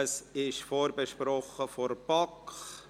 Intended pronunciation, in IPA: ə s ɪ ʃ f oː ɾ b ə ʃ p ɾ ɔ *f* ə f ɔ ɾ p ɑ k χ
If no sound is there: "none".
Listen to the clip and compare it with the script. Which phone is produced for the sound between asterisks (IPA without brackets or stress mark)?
χ